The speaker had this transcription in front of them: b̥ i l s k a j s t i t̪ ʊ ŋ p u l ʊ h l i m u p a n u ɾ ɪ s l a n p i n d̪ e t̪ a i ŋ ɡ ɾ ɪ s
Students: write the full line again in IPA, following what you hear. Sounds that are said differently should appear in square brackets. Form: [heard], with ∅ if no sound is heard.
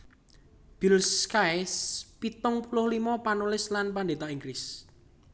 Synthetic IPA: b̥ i l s k a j s [p] i t̪ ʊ ŋ p u l ʊ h l i m [ɔ] p a n u [l] ɪ s l a n p [a] n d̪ e t̪ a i ŋ ɡ ɾ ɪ s